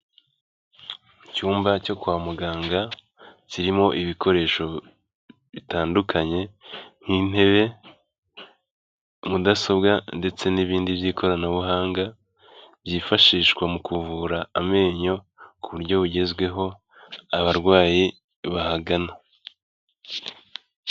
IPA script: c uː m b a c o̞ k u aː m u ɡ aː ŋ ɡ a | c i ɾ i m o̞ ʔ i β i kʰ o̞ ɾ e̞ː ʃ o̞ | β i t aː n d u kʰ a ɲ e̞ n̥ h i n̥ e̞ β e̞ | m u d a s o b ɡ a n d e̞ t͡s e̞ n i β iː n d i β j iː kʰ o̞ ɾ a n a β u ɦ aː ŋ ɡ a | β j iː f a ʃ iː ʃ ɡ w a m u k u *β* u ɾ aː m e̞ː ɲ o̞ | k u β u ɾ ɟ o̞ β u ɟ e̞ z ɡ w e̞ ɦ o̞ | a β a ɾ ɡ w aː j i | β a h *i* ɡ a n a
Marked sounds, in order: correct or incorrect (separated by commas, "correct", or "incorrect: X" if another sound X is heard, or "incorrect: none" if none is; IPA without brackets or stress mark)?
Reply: incorrect: v, incorrect: a